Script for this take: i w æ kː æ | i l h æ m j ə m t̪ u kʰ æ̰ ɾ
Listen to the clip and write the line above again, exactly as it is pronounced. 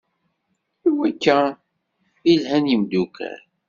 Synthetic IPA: i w æ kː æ | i l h æ n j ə m d̪ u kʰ æ̰ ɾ